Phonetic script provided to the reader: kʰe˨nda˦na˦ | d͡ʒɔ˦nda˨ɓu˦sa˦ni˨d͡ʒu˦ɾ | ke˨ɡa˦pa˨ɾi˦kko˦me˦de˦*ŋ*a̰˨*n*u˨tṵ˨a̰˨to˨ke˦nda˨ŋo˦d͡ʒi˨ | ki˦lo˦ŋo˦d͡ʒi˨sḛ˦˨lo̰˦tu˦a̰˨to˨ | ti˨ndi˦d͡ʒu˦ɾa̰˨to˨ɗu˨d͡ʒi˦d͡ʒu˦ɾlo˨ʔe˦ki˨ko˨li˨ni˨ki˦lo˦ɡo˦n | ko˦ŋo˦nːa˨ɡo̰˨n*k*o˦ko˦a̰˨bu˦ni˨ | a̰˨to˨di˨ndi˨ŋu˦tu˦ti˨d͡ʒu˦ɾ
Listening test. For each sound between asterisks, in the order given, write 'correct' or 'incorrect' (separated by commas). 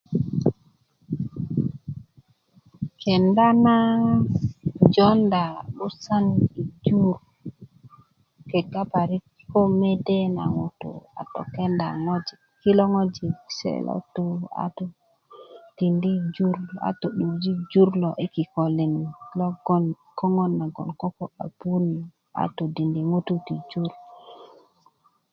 incorrect, incorrect, correct